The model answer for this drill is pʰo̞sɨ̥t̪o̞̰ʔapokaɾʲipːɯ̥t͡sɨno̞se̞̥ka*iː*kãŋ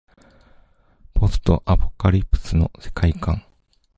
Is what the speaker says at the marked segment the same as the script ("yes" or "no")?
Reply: no